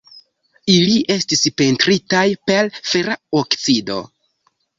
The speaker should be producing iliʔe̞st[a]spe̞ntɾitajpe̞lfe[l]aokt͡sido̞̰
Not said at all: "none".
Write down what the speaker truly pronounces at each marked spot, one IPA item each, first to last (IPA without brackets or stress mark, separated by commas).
i, ɾ